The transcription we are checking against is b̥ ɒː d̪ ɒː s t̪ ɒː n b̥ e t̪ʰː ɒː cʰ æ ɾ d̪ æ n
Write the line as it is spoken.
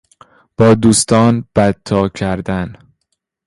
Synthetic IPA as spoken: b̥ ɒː d̪ uː s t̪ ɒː n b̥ æ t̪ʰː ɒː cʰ æ ɾ d̪ æ n